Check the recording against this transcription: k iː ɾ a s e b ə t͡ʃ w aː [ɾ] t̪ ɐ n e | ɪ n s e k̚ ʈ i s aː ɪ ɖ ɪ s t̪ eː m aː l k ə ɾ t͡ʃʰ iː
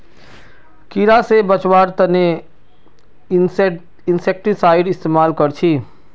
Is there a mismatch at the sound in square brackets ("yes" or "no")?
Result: no